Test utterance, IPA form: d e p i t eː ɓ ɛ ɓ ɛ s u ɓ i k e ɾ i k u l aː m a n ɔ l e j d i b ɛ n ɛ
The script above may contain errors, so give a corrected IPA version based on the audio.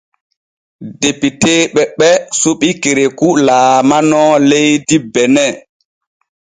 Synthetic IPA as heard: d e p i t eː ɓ ɛ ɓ ɛ s u ɓ i k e ɾ e k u l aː m a n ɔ l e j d i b ɛ n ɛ